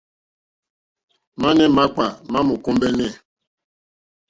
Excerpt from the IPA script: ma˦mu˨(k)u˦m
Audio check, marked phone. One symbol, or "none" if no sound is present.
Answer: k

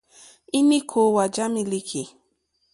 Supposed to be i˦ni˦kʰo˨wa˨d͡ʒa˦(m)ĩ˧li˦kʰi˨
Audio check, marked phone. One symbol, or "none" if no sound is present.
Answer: m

